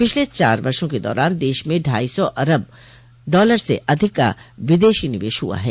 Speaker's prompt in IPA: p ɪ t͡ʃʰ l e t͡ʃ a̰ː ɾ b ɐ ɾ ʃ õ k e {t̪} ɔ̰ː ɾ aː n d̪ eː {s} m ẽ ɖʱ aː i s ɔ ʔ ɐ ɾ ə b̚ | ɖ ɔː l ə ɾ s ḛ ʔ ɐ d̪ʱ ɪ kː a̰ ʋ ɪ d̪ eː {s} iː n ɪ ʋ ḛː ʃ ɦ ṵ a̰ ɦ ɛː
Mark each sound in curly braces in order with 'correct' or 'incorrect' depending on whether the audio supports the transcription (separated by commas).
incorrect, incorrect, incorrect